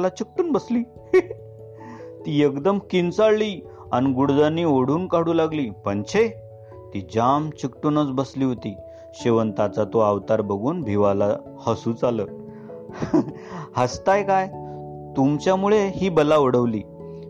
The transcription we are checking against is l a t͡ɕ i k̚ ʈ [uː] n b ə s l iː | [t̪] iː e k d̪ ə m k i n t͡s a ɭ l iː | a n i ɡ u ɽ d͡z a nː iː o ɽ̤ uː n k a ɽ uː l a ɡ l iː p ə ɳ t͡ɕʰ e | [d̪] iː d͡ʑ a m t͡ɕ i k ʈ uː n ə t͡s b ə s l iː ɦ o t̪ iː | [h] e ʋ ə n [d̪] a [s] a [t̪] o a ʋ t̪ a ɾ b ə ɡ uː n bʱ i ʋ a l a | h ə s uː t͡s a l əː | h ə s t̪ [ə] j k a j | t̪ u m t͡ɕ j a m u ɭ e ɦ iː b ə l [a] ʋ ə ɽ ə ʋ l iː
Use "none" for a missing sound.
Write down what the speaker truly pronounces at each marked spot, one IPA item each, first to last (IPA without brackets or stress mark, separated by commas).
uː, t̪, t̪, ɕ, t̪, t͡s, t̪, a, a